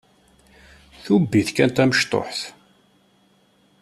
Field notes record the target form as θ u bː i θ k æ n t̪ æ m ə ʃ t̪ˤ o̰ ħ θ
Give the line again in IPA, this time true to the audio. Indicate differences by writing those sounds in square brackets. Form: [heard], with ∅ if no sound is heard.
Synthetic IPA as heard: θ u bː i θ k æ n t̪ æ m ə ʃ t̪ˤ o̰ ħ θ